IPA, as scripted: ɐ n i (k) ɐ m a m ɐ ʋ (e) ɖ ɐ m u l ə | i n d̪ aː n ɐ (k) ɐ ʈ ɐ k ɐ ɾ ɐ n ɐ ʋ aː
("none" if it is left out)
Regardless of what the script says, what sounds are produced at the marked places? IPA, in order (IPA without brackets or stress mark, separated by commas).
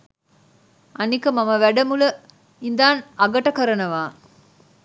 k, æ, ɡ